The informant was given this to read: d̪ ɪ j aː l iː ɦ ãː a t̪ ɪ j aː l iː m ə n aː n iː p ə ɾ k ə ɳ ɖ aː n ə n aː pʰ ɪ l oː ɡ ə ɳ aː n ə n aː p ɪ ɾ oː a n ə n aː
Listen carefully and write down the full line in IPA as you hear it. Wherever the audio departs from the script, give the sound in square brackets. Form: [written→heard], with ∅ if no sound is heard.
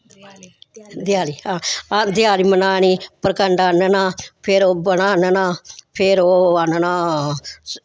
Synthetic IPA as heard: d̪ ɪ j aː l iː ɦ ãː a [t̪→d̪] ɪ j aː l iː m ə n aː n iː p ə ɾ k ə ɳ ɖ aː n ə n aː pʰ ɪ [l→ɾ] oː [ɡ→b] ə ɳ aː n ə n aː [p→pʰ] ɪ ɾ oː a n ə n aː